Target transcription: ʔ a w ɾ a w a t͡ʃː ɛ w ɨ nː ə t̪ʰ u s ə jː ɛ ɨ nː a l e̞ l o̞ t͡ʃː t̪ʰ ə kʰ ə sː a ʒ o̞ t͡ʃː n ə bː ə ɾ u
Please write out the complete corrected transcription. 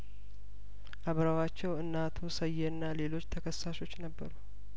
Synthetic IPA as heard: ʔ a β ɾ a w a t͡ʃː ɛ w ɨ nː a t̪ʰ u s ə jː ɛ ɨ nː a l e̞ l o̞ t͡ʃː t̪ʰ ə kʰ ə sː a ʃ o̞ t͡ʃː n ə bː ə ɾ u